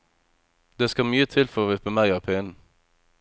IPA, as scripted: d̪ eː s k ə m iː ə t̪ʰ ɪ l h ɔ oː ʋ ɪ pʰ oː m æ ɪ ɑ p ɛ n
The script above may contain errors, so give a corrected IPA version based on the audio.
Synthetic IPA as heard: d̪ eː s k ɑ m yː ə t̪ʰ ɪ l f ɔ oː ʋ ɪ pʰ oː m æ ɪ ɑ pʰ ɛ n